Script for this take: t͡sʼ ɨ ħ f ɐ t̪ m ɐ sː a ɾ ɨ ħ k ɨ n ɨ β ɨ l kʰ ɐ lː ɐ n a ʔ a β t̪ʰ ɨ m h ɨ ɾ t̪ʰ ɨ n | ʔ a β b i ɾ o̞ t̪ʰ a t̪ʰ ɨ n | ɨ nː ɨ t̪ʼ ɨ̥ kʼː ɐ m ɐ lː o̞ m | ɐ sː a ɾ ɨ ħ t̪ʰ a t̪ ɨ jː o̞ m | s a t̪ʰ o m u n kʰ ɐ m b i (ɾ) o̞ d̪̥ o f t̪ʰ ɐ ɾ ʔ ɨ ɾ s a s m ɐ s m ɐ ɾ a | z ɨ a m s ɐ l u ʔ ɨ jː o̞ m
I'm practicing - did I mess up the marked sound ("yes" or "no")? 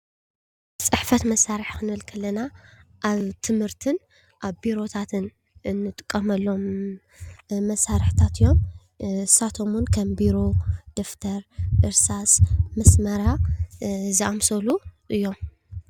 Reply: no